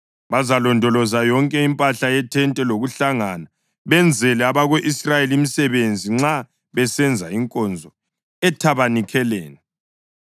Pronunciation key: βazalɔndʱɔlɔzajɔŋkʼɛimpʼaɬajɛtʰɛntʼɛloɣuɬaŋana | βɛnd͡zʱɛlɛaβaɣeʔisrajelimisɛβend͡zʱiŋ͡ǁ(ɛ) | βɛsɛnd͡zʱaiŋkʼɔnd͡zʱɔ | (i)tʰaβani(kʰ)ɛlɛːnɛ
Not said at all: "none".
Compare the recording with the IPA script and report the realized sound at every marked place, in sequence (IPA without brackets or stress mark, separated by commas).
a, ɛ, kʰ